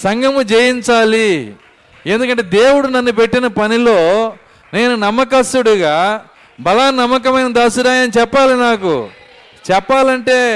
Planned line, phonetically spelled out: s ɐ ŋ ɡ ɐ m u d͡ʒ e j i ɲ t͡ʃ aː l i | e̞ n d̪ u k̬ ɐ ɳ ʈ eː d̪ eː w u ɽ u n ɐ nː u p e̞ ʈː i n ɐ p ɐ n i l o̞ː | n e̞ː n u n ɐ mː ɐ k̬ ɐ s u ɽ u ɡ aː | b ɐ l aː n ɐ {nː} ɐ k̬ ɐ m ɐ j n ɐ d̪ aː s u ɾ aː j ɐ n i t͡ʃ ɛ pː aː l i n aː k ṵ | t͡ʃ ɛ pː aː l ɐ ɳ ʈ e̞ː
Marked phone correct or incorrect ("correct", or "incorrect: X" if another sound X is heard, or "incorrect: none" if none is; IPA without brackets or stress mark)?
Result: incorrect: mː